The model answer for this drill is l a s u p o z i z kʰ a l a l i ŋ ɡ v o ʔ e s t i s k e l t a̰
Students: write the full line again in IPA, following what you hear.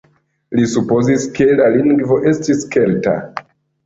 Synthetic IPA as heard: l i s u p o z i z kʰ e l a l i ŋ ɡ v o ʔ e s t i s k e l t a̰